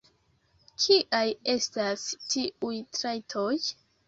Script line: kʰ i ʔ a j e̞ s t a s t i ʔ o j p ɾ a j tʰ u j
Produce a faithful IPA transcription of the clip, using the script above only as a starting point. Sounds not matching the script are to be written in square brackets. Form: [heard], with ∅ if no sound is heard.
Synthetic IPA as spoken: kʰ i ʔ a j e̞ s t a s t i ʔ [u] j [t] ɾ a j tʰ [o] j